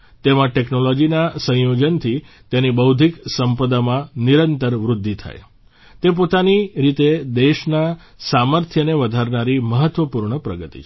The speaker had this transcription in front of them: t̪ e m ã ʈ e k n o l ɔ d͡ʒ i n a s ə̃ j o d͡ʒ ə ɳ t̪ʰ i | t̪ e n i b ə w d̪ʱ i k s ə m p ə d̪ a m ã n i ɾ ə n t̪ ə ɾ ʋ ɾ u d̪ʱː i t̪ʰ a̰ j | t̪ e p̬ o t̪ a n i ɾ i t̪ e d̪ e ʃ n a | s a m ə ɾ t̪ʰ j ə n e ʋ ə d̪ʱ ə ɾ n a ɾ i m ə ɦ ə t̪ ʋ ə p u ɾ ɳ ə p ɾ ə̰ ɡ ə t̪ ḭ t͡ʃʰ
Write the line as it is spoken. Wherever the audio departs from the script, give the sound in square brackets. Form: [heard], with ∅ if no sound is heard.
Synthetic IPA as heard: t̪ e m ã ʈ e k n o l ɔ d͡ʒ i n a s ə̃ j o d͡ʒ ə [n] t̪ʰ i | t̪ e n i b ə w d̪ʱ i k s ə m p ə d̪ a m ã n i ɾ ə n t̪ ə ɾ ʋ ɾ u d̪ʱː i t̪ʰ a̰ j | t̪ e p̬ o t̪ a n i ɾ i t̪ e d̪ e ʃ n a | s a m ə ɾ t̪ʰ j ə n e ʋ ə d̪ʱ [a] ɾ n a ɾ i m ə ɦ ə t̪ ʋ ə p u ɾ ɳ ə p ɾ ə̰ ɡ ə t̪ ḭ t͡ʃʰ